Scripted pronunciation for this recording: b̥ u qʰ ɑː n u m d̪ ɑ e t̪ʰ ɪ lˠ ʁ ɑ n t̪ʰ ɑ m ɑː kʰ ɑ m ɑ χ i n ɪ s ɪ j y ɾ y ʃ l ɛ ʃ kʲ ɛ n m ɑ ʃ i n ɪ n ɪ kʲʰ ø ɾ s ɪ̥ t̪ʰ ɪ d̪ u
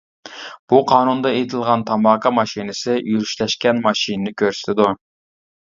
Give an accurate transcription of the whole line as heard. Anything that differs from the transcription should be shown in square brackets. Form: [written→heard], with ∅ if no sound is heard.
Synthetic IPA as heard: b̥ u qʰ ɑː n u [m→n] d̪ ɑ e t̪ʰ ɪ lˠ ʁ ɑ n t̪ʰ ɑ m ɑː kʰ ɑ m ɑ [χ→ʃ] i n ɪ s ɪ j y ɾ y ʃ l ɛ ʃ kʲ ɛ n m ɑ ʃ i n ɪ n ɪ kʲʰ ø ɾ s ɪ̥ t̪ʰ ɪ d̪ u